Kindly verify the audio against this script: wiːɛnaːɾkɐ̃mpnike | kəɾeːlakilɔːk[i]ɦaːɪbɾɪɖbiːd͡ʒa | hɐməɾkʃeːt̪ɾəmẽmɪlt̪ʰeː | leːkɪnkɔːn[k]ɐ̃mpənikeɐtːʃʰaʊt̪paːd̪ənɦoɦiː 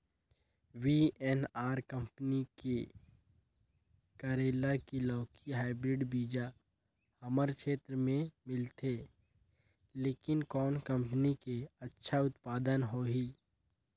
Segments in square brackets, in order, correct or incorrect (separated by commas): correct, correct